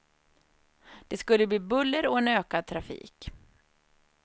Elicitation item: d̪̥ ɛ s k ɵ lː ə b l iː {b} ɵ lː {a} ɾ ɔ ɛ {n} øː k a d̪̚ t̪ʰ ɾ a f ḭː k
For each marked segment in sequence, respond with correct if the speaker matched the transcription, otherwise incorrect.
correct, incorrect: ə, correct

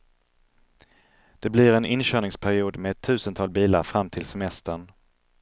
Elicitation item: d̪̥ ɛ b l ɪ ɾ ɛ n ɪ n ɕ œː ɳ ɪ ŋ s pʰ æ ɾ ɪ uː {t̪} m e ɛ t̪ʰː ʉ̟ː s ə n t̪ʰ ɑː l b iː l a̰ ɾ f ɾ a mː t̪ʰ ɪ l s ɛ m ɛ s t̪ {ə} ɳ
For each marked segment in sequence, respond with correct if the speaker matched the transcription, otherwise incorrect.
incorrect: d̪, correct

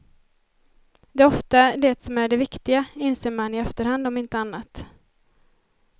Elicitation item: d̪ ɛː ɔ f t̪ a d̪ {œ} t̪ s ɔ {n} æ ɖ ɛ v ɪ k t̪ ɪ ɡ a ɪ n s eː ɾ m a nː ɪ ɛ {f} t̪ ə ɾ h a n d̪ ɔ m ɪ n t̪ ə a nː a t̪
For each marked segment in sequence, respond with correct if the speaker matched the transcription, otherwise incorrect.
incorrect: ɛ, incorrect: m, correct

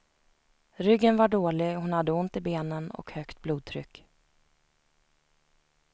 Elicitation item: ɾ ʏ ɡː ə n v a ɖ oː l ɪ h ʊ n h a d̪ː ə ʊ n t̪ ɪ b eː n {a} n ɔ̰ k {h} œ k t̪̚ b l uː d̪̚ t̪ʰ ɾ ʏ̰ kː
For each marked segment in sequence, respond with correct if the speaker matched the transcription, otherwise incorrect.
incorrect: ə, correct

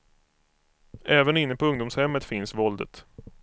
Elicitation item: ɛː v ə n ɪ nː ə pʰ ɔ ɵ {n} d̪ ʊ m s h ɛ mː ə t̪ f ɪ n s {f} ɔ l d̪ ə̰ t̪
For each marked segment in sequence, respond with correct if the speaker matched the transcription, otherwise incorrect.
incorrect: ŋ, incorrect: v

